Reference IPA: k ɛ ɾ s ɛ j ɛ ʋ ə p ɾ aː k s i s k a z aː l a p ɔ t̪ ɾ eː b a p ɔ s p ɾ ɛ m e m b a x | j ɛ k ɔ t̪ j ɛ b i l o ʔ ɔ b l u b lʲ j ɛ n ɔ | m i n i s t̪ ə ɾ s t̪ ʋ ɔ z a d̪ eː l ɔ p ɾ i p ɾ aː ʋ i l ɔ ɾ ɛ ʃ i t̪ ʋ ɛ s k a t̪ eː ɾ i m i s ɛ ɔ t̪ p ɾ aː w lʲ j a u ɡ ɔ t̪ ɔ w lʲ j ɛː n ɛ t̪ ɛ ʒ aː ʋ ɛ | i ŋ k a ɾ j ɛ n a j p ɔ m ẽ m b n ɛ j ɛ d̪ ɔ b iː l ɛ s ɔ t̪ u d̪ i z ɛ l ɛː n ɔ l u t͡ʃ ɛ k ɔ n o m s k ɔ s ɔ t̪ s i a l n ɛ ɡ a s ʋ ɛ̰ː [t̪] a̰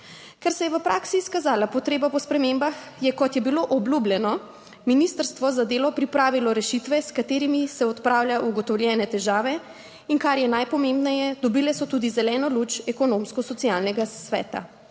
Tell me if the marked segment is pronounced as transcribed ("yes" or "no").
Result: yes